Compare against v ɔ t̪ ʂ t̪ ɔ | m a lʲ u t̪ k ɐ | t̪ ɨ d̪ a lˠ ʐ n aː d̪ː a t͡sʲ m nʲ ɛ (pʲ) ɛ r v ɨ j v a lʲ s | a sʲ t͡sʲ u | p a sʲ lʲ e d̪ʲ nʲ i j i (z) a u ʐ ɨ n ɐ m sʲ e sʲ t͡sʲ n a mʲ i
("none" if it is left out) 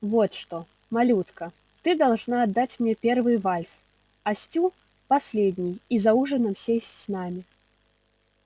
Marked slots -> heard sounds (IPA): pʲ, z

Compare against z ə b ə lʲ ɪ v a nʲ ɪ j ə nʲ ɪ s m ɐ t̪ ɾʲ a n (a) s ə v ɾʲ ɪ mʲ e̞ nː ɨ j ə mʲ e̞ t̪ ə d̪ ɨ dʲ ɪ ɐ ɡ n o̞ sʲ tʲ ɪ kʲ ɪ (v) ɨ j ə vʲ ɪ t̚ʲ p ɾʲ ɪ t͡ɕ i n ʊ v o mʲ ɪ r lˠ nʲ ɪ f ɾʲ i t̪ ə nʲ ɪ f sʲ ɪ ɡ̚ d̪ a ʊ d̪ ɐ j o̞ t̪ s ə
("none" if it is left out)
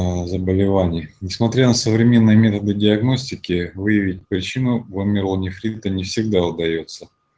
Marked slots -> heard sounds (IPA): ə, v

